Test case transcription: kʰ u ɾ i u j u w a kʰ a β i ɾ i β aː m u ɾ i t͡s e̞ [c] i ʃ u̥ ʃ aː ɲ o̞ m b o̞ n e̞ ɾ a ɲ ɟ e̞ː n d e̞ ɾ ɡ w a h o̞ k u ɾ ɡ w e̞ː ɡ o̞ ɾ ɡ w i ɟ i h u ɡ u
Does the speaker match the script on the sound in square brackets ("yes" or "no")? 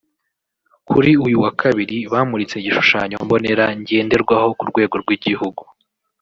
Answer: no